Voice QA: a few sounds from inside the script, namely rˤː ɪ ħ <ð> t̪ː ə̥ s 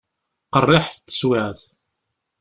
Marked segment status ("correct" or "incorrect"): incorrect